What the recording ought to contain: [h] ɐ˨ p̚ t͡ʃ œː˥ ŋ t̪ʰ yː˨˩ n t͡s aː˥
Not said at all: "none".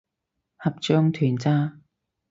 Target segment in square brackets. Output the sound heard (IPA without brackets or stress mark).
h